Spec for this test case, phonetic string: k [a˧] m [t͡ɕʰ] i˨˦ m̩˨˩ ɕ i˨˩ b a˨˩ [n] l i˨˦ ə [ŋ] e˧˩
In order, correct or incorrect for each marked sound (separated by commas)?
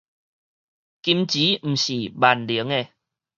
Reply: incorrect, incorrect, correct, correct